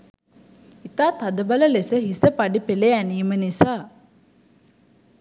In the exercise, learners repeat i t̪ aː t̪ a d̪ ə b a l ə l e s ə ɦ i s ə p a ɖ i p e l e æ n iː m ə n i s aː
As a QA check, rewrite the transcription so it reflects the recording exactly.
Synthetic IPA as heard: i t̪ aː t̪ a d̪ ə b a l ə l e s ə ɦ i s ə p a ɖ i p e l e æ n iː m ə n i s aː